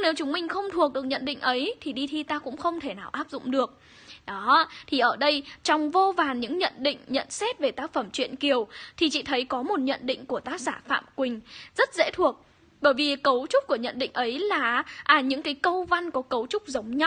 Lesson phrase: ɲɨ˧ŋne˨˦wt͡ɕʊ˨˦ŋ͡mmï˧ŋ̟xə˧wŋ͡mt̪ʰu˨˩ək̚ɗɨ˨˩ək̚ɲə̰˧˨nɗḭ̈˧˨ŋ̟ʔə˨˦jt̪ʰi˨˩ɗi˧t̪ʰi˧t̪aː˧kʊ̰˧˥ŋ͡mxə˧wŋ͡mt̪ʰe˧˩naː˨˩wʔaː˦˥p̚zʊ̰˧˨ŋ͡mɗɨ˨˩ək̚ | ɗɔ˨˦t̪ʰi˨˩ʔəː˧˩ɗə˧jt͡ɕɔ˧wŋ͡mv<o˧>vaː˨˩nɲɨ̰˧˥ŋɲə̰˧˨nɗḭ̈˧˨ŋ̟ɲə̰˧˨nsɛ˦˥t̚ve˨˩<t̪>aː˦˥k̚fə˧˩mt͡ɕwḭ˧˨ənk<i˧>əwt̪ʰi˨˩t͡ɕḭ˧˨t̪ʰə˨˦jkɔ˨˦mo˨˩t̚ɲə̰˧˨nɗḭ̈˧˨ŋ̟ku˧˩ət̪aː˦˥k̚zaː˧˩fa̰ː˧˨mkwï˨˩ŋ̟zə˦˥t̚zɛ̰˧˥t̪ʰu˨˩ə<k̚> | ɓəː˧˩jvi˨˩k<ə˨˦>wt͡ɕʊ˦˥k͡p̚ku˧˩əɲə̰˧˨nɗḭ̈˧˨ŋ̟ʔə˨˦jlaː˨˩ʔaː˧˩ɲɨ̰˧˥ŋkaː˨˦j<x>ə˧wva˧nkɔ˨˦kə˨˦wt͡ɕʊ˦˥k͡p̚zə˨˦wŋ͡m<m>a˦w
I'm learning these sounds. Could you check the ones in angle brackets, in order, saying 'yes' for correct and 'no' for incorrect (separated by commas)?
yes, yes, no, yes, yes, no, no